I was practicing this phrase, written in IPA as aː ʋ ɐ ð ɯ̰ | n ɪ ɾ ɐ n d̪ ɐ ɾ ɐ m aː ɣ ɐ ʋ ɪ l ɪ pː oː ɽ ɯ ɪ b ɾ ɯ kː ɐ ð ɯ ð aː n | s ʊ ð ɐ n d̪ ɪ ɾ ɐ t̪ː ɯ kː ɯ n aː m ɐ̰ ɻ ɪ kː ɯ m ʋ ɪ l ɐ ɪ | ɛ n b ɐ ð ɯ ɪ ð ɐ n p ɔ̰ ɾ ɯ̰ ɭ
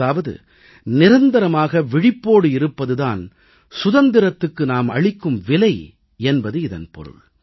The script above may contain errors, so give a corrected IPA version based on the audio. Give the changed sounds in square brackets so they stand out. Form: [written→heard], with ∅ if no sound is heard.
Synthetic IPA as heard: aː ʋ ɐ ð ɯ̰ | n ɪ ɾ ɐ n d̪ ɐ ɾ ɐ m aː ɣ ɐ ʋ ɪ [l→ɽ] ɪ pː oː ɽ ɯ ɪ [b→∅] ɾ ɯ [kː→pː] ɐ ð ɯ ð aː n | s ʊ ð ɐ n d̪ ɪ ɾ ɐ t̪ː ɯ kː ɯ n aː m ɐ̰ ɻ ɪ kː ɯ m ʋ ɪ l ɐ ɪ | ɛ n b ɐ ð ɯ ɪ ð ɐ n p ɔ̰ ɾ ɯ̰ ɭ